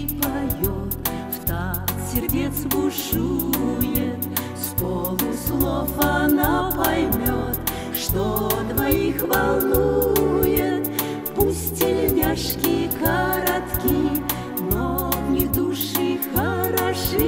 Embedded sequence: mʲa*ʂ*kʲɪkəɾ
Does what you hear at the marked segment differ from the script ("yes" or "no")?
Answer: no